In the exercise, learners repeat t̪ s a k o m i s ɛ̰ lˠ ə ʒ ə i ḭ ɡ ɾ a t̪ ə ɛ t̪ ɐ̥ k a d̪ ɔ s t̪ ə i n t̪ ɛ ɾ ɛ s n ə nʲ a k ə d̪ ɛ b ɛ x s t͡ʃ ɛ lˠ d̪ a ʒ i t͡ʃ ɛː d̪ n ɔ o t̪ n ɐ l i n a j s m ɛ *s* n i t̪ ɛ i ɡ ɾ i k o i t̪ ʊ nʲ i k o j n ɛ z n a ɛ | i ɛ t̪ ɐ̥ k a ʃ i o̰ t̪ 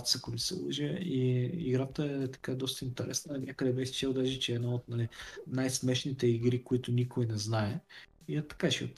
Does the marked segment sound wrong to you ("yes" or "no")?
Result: yes